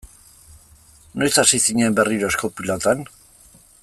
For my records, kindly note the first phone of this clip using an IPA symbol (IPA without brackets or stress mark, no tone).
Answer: n